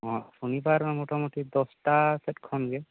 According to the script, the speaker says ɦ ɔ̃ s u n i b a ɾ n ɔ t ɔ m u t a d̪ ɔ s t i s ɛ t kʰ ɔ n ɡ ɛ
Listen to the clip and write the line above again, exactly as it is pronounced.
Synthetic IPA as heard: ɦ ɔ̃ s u n i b a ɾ m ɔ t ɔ m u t i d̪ ɔ s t a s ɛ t kʰ ɔ n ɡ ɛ